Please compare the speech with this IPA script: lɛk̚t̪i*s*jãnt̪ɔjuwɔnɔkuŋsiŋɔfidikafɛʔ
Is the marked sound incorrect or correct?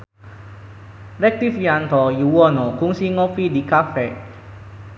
incorrect: f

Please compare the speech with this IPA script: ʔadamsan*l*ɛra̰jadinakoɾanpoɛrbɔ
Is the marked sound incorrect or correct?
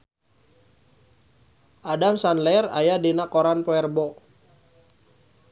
correct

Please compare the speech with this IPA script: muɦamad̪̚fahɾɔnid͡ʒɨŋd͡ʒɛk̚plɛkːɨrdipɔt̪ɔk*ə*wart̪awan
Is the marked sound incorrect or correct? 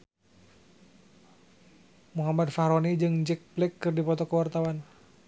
correct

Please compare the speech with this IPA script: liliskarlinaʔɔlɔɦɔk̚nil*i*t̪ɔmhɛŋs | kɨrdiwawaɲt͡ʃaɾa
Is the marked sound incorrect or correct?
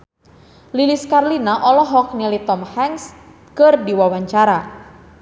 correct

